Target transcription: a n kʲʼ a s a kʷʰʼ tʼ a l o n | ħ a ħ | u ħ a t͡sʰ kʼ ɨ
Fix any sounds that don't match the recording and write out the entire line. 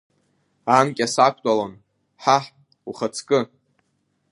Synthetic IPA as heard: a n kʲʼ a s a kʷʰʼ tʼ a l o n | ħ a ħ | u χ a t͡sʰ kʼ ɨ